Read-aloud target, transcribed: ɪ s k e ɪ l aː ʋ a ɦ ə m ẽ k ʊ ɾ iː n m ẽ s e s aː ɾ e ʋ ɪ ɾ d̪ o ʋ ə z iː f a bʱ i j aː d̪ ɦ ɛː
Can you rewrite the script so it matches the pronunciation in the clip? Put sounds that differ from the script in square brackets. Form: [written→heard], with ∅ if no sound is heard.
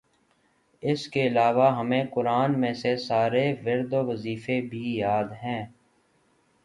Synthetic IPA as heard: ɪ s k e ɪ l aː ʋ a ɦ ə m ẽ k ʊ ɾ [iː→aː] n m ẽ s e s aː ɾ e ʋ ɪ ɾ d̪ o ʋ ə z iː f [a→e] bʱ i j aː d̪ ɦ [ɛː→ɛ̃ː]

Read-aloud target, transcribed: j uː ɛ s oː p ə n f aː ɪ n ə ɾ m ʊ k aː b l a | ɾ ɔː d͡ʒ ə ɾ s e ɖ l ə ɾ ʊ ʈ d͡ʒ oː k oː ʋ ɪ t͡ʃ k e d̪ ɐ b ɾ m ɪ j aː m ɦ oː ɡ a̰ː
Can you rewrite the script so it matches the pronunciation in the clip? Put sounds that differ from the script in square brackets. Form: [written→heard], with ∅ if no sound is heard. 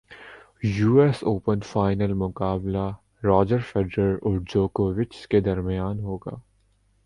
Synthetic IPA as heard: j uː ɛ s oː p ə n f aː ɪ n ə [ɾ→l] m ʊ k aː b l a | ɾ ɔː d͡ʒ ə ɾ [s→f] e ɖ [l→ɾ] ə ɾ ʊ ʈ d͡ʒ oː k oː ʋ ɪ t͡ʃ k e d̪ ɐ [b→∅] ɾ m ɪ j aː [m→n] ɦ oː ɡ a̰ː

